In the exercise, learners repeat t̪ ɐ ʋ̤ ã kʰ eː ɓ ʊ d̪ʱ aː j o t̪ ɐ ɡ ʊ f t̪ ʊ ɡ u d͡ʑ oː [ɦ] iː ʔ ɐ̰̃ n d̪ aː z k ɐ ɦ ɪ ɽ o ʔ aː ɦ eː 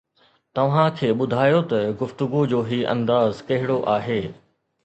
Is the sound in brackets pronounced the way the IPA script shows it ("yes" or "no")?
yes